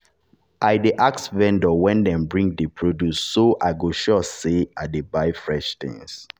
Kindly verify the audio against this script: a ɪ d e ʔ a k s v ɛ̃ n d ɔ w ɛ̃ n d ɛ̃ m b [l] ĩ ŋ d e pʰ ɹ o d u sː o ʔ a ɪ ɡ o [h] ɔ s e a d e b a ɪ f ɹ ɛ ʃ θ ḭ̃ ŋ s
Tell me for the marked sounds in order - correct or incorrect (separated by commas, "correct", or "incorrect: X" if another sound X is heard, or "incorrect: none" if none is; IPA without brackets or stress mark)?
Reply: incorrect: ɹ, incorrect: ʃ